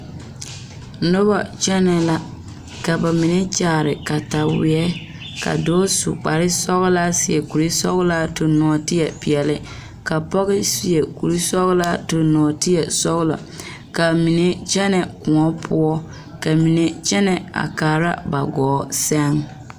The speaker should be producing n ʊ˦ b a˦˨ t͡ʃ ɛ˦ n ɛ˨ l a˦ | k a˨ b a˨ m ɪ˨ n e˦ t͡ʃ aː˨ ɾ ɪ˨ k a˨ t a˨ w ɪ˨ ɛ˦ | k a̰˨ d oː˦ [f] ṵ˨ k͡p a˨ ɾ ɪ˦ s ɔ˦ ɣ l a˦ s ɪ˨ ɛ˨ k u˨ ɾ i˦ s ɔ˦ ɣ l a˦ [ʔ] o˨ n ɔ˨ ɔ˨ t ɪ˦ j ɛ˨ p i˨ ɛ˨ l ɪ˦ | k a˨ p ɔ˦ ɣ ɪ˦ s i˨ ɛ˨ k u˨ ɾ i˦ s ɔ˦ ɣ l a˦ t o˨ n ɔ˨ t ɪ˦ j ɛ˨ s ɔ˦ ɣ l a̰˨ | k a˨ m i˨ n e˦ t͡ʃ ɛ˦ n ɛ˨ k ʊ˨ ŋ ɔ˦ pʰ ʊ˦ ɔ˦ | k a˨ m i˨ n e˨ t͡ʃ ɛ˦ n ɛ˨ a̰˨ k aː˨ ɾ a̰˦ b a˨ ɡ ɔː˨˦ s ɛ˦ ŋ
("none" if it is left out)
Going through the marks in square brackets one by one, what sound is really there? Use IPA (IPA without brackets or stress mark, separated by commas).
s, t